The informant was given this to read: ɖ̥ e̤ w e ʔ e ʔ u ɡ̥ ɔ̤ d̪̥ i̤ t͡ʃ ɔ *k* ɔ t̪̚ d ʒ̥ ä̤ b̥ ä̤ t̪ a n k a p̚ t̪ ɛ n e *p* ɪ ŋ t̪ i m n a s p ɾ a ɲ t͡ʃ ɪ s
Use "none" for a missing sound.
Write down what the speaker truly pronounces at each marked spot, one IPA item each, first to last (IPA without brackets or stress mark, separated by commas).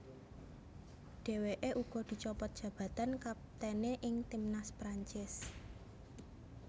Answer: p, ʔ